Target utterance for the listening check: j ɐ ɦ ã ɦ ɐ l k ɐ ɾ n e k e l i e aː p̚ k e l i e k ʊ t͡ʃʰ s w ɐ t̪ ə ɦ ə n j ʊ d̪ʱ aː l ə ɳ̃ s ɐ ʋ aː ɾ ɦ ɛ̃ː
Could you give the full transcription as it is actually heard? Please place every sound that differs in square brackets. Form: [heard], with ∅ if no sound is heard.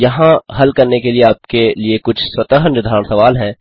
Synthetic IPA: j ɐ ɦ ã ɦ ɐ l k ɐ ɾ n e k e l i e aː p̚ k e l i e k ʊ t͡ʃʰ s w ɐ t̪ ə ɦ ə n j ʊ d̪ʱ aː [ɾ] ə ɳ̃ s ɐ ʋ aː [l] ɦ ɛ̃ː